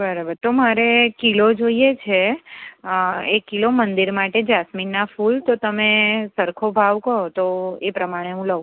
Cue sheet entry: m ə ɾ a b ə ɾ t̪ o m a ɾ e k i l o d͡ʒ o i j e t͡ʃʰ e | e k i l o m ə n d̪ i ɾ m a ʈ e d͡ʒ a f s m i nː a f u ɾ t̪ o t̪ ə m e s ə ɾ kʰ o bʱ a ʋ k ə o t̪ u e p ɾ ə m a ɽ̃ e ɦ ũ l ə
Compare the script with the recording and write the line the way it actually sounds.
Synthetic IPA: b ə ɾ a b ə ɾ t̪ o m a ɾ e k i l o d͡ʒ o i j e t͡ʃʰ e | e k i l o m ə n d̪ i ɾ m a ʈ e d͡ʒ a s m i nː a f u l t̪ o t̪ ə m e s ə ɾ kʰ o bʱ a ʋ k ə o t̪ o e p ɾ ə m a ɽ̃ e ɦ ũ l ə